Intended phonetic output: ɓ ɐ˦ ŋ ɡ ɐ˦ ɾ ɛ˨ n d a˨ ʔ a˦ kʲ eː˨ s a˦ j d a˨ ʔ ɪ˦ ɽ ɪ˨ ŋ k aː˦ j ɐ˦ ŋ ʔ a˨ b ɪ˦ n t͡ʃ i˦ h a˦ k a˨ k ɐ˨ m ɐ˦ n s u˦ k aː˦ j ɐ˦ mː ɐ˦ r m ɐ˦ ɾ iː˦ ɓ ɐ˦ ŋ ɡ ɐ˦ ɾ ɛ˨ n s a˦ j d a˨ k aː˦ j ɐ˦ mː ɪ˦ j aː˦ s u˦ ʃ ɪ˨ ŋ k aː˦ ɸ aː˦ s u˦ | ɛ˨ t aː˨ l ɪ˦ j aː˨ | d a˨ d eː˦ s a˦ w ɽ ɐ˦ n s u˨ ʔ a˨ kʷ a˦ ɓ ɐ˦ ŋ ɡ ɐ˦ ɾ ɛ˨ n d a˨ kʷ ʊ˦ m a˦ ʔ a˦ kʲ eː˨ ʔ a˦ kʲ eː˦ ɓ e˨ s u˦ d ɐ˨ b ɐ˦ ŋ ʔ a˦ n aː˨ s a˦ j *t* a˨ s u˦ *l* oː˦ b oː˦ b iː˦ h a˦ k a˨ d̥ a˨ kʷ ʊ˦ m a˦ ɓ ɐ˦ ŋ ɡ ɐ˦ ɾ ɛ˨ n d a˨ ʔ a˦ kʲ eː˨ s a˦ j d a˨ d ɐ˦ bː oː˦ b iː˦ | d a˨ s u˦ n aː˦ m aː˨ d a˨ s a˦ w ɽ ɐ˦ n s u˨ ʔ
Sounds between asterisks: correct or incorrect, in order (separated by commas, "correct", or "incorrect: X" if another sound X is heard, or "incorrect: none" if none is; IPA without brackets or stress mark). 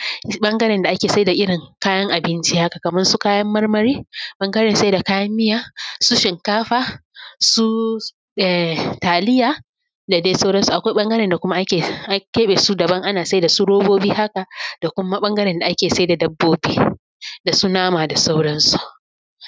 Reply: incorrect: d, incorrect: ɽ